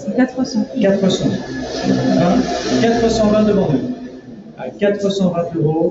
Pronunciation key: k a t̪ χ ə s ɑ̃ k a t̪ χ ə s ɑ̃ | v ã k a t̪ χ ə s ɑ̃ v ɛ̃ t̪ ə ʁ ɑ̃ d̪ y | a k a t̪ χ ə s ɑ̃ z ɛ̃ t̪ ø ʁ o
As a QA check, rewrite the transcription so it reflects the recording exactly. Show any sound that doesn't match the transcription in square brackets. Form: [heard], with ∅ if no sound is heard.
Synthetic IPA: k a t̪ χ ə s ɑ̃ k a t̪ χ ə s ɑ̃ | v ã k a t̪ χ ə s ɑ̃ v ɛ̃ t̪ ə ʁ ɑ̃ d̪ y | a k a t̪ χ ə s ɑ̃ [v] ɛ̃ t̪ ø ʁ o